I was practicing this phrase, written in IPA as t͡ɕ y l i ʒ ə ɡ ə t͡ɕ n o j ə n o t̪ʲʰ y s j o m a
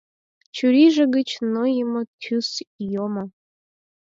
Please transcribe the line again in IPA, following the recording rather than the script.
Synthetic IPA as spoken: t͡ɕ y ɾ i ʒ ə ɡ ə t͡ɕ n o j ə m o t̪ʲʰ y s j o m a